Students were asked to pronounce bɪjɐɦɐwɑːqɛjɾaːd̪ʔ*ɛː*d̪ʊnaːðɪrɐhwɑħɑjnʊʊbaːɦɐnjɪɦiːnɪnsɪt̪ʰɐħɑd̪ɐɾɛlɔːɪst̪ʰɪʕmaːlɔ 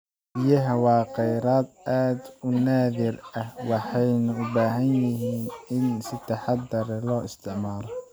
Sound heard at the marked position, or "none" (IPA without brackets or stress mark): aː